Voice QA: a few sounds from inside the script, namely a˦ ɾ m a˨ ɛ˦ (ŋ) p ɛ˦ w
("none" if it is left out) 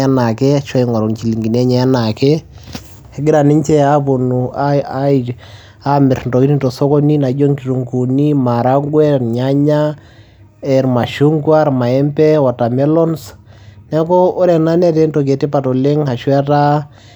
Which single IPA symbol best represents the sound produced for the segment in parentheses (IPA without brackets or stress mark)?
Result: m